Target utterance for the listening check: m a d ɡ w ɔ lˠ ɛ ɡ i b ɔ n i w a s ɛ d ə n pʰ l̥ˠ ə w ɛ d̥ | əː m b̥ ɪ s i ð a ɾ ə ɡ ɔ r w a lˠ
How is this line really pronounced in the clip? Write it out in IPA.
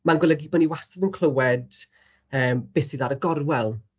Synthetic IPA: m a n ɡ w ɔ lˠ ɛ ɡ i b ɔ n i w a s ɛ d ə n kʰ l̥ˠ ə w ɛ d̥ | əː m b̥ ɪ s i ð a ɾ ə ɡ ɔ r w ɛ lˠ